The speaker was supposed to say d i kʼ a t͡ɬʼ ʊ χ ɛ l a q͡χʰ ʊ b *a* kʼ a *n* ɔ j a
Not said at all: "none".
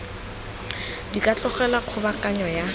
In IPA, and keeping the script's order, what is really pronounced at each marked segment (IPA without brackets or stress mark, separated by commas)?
a, ɲ